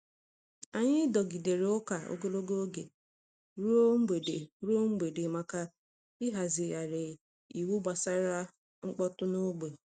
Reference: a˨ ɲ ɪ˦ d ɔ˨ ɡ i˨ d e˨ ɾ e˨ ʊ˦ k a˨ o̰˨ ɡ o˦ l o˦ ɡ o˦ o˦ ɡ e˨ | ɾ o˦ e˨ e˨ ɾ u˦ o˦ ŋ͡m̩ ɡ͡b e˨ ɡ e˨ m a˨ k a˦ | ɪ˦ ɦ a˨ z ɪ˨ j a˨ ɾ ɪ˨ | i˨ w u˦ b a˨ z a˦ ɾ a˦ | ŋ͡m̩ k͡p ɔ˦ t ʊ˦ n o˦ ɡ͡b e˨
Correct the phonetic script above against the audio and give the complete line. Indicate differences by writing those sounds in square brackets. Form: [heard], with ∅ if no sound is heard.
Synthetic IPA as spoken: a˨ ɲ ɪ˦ d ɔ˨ ɡ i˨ d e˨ ɾ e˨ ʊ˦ k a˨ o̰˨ ɡ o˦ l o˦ ɡ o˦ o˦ ɡ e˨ | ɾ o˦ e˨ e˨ ɾ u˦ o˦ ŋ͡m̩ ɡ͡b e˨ [d] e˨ m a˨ k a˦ | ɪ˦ ɦ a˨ z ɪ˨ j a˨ ɾ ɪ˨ | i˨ w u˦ b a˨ [s] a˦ ɾ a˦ | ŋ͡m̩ k͡p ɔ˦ t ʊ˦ n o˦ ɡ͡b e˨